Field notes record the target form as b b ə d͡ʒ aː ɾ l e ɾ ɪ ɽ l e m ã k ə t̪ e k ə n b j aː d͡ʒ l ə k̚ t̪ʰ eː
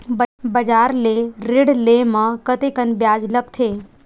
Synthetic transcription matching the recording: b b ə d͡ʒ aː ɾ l e ɾ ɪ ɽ l e m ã k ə t̪ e k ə n b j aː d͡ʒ l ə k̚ t̪ʰ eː